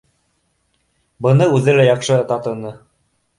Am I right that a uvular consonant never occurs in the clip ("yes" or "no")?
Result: no